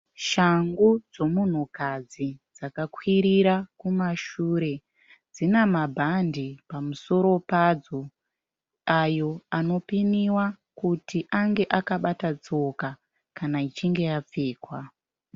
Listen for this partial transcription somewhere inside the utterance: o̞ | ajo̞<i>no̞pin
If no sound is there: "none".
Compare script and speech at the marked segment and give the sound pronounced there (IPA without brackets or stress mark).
a